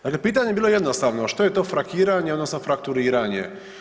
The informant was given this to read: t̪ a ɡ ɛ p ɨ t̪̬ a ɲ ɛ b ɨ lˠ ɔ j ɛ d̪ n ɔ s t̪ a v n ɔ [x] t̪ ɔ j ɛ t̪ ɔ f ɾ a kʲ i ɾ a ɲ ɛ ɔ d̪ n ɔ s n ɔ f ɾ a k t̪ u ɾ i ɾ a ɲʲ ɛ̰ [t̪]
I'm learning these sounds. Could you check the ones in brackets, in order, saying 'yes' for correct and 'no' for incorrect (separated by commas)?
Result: no, no